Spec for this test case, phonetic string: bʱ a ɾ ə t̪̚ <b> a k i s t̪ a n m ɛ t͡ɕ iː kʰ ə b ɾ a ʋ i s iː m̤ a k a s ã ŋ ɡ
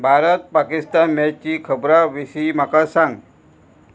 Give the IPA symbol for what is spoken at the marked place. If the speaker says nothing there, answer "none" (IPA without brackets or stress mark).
p